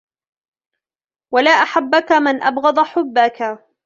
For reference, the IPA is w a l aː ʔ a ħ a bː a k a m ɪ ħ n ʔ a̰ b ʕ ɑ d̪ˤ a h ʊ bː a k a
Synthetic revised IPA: w a l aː ʔ a ħ a bː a k a m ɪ n ʔ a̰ b ɣ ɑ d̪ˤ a ħ ʊ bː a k a